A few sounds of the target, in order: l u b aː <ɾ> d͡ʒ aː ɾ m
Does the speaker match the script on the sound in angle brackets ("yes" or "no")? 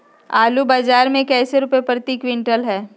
no